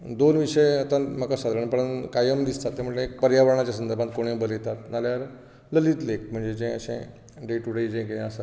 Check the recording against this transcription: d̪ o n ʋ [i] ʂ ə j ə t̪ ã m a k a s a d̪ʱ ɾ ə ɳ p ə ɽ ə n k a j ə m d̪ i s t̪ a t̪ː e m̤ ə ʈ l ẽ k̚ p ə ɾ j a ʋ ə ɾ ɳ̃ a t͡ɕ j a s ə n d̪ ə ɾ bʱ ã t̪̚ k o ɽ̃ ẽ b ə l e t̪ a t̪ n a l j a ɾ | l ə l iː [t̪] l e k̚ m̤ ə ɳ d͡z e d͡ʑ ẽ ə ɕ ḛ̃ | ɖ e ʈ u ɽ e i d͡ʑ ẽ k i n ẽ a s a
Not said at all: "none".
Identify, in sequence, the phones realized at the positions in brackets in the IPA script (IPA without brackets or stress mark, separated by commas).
i, t̪